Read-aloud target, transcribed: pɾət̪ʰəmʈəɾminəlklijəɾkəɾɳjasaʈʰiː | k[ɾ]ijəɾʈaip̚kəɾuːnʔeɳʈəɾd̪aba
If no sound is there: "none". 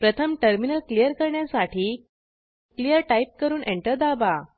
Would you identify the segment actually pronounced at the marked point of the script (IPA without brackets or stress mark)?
l